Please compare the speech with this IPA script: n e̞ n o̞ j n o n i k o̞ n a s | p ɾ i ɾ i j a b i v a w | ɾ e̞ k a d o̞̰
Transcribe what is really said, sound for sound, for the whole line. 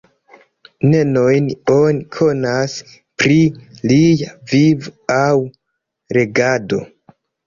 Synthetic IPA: n e̞ n o̞ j n o n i kʰ o̞ n a s | p ɾ i l i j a v i v a w | ɾ e̞ ɡ a d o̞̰